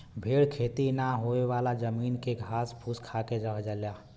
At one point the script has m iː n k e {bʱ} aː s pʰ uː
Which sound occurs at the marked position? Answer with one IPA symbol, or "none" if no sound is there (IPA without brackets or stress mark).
ɡʱ